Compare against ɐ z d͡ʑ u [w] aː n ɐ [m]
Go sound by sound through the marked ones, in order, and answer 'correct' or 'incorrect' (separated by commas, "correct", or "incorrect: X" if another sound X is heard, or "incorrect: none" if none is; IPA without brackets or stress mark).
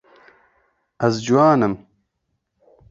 correct, correct